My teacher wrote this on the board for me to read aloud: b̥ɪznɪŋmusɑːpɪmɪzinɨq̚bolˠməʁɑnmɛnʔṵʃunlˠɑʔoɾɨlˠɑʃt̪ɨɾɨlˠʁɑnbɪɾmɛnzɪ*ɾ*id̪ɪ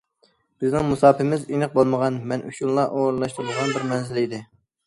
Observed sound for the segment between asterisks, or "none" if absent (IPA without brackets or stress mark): l